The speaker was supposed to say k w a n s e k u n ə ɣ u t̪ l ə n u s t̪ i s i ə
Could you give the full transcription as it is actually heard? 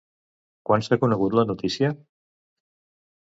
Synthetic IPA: k w a n s a k u n ə ɣ u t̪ l ə n u t̪ i s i ə